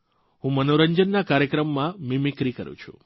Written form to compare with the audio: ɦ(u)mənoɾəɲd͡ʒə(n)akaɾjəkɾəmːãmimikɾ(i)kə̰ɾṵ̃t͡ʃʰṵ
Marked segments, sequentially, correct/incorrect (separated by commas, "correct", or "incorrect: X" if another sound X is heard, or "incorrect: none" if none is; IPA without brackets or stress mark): incorrect: ũ, incorrect: nː, correct